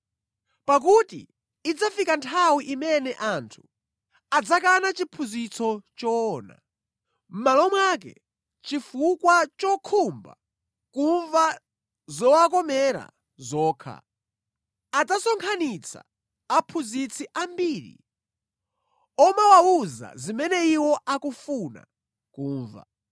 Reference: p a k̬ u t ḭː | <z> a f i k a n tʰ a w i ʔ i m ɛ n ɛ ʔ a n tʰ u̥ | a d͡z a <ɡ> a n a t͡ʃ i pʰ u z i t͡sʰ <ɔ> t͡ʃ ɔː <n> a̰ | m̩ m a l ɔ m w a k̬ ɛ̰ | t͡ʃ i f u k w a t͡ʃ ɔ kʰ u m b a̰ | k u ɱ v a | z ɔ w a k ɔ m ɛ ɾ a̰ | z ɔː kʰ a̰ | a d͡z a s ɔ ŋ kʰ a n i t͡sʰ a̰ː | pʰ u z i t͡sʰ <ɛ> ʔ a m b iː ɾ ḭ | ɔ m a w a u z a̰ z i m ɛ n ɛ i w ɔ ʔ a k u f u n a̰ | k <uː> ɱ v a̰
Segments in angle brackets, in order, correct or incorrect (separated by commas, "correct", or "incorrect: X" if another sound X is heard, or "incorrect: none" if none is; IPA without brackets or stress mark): incorrect: d͡z, incorrect: k, correct, correct, incorrect: i, correct